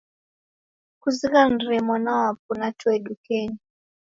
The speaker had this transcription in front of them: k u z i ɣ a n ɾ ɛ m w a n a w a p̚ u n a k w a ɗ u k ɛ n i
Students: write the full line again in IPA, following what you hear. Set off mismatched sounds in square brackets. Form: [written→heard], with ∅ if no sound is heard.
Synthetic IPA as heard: k u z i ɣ a n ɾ ɛ m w a n a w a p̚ u n a [k→t] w [a→ɛ] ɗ u k ɛ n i